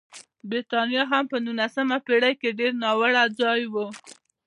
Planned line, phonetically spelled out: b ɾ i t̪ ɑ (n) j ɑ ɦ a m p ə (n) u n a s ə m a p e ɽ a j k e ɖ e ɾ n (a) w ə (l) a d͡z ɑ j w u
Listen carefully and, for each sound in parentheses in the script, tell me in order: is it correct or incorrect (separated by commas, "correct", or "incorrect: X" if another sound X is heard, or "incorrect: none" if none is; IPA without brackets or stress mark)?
correct, correct, incorrect: ɑ, incorrect: ɽ